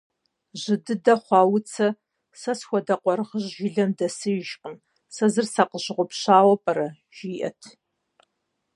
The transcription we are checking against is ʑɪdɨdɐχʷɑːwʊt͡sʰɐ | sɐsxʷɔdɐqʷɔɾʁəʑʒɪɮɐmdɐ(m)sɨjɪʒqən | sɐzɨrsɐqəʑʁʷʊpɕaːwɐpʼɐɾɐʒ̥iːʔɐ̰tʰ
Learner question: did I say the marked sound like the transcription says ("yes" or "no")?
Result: no